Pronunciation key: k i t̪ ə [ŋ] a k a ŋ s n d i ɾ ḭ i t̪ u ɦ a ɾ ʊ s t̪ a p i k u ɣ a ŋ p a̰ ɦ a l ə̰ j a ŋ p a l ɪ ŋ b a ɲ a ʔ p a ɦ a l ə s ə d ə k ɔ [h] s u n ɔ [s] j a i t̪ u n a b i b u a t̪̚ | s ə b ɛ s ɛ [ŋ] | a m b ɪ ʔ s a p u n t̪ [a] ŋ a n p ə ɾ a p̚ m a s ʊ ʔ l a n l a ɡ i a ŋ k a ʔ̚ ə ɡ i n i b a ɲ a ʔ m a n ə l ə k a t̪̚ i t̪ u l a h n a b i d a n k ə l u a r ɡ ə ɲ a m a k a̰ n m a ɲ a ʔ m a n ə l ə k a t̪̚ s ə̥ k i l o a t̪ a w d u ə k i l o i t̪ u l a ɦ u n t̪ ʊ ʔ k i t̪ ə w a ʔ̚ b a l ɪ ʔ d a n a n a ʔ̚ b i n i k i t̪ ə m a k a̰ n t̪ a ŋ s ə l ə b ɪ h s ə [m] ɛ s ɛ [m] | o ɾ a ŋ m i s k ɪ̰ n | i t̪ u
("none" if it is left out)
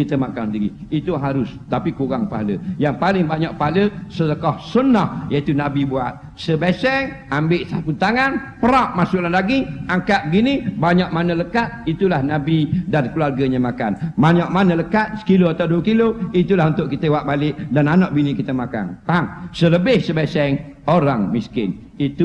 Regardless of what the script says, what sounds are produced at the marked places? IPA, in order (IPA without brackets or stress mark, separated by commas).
m, h, h, ŋ, a, b, ŋ